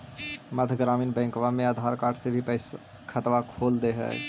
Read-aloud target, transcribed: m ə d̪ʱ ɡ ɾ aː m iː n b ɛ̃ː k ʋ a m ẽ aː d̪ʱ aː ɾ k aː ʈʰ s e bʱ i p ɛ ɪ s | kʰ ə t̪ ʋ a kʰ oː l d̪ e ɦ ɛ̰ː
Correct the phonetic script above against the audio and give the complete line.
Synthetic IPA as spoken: m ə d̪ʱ ɡ ɾ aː m iː n b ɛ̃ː k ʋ a m ẽ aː d̪ʱ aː ɾ k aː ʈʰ s e bʱ i p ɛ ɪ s | kʰ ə t̪ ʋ a kʰ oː l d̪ e ɦ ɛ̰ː